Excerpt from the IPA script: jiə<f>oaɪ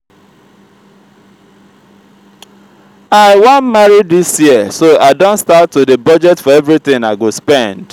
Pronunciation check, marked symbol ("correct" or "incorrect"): incorrect